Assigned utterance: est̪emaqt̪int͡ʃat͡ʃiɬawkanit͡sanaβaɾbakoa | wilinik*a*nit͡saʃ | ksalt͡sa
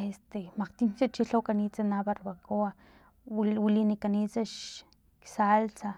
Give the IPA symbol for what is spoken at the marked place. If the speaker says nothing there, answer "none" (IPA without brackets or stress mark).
a